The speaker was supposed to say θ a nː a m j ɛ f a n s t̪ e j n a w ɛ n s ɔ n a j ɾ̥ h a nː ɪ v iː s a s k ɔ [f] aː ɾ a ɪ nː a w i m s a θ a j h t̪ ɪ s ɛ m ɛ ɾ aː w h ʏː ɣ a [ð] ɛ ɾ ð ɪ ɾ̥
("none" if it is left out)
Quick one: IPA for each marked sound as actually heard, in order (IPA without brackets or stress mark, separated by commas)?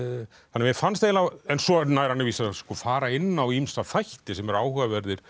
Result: f, v